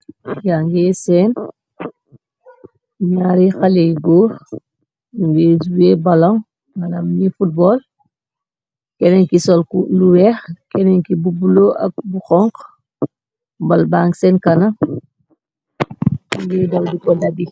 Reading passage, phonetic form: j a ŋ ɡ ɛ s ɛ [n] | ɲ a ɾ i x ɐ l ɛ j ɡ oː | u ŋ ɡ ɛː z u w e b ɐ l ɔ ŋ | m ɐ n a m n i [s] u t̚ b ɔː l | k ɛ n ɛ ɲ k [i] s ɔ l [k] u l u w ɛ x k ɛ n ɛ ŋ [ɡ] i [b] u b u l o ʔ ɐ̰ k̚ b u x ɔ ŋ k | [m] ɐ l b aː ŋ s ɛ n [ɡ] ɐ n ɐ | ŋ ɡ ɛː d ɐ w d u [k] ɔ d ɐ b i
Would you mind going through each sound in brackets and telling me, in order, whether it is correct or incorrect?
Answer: correct, incorrect: f, correct, correct, incorrect: k, correct, incorrect: b, incorrect: k, correct

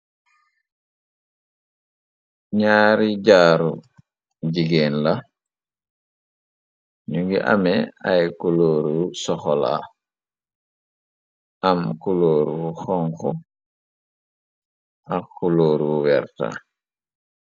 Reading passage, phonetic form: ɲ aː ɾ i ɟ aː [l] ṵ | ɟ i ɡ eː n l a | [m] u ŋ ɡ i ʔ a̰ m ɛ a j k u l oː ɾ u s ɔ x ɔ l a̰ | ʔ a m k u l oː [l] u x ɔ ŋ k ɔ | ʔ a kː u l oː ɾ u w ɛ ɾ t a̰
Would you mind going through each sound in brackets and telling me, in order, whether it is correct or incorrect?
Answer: incorrect: ɾ, incorrect: ɲ, incorrect: ɾ

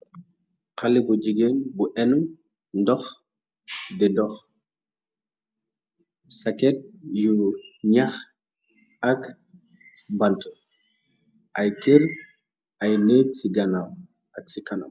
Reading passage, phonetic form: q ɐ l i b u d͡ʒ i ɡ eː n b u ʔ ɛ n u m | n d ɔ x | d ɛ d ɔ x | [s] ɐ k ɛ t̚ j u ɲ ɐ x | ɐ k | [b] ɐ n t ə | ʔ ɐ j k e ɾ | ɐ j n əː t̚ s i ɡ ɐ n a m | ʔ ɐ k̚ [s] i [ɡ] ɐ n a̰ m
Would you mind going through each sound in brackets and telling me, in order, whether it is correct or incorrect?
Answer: correct, correct, correct, incorrect: k

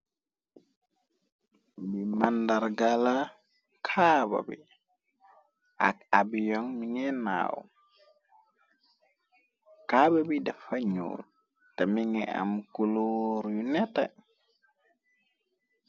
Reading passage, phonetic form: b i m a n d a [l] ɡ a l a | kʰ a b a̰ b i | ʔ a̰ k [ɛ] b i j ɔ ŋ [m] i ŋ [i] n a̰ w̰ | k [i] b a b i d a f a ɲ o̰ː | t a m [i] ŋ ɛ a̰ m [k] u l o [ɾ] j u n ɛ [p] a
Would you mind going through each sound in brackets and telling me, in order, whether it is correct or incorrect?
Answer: incorrect: ɾ, incorrect: a, correct, incorrect: ɛ, incorrect: a, correct, correct, correct, incorrect: t

